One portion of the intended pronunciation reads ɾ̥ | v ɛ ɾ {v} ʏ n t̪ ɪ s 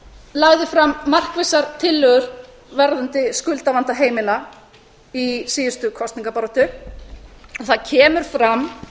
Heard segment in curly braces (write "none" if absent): ð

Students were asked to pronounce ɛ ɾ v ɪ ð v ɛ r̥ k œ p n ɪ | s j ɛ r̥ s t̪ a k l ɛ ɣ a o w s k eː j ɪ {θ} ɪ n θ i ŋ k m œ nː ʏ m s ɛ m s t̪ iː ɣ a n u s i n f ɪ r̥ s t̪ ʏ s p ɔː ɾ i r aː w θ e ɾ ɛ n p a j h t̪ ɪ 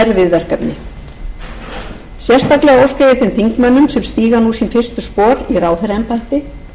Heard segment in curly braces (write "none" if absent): θ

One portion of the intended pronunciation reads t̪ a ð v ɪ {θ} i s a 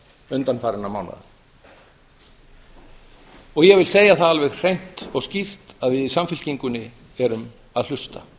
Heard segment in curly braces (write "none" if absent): ð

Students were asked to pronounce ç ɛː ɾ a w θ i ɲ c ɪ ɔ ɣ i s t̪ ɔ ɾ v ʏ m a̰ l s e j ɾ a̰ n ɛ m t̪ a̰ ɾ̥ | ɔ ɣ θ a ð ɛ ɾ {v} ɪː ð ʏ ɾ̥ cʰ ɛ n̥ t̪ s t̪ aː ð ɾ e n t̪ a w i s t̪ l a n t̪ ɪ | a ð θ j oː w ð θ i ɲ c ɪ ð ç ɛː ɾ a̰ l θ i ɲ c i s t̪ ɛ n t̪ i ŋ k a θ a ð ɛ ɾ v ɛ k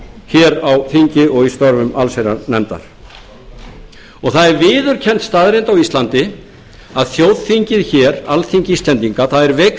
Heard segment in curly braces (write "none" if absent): v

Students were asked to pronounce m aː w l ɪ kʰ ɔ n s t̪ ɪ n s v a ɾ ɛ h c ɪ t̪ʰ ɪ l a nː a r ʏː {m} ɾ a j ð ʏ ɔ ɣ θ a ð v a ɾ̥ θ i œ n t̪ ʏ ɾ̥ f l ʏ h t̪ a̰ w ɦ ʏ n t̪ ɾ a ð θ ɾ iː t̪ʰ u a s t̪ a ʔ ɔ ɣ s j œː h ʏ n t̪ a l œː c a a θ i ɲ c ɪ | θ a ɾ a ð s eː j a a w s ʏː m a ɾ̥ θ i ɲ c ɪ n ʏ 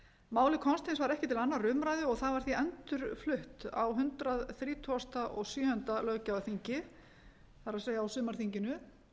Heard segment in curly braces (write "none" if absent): m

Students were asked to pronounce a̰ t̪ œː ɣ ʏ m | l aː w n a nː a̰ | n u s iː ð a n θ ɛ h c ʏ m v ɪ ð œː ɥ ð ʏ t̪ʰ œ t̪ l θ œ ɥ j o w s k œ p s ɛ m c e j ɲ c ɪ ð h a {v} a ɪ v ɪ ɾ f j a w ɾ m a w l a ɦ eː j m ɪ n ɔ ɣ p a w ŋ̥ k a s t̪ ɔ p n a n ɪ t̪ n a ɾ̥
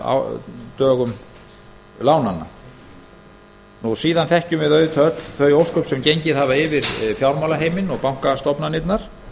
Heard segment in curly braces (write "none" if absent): v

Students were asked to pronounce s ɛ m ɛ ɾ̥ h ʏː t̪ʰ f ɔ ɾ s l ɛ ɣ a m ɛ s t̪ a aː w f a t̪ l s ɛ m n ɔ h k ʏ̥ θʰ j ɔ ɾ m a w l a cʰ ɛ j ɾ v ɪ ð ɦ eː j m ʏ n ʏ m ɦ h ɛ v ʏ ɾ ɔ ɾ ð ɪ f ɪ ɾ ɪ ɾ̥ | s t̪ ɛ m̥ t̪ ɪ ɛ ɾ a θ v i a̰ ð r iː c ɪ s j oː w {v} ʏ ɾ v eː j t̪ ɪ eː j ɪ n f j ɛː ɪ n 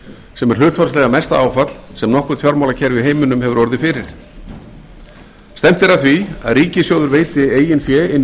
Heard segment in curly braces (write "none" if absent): ð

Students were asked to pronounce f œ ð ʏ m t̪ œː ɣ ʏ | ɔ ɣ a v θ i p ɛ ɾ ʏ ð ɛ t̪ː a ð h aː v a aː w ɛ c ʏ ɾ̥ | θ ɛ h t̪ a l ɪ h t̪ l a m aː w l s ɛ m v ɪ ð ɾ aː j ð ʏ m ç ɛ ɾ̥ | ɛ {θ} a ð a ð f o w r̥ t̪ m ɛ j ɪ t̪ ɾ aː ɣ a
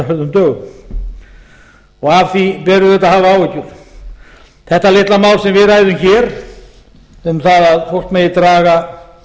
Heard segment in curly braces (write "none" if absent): θ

